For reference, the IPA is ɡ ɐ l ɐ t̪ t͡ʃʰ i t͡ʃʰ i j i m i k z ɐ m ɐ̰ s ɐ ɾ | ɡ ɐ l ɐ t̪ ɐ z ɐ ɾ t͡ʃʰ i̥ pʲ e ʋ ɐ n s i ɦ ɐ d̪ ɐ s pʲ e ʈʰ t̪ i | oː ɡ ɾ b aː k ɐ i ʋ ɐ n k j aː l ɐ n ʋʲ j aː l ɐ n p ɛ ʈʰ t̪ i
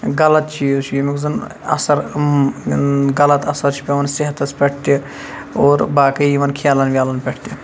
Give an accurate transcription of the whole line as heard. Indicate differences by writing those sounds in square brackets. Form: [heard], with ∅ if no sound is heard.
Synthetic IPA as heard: ɡ ɐ l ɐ t̪ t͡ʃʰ i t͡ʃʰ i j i m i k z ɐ [n] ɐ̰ s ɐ ɾ | ɡ ɐ l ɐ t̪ ɐ [s] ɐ ɾ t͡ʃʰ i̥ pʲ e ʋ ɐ n s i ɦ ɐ [t̪] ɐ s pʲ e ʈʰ t̪ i | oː [∅] ɾ b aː k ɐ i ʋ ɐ n [kʰ] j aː l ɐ n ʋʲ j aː l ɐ n p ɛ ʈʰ t̪ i